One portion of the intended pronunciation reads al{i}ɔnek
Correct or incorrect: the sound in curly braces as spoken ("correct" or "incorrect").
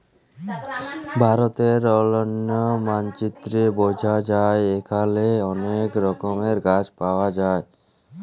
incorrect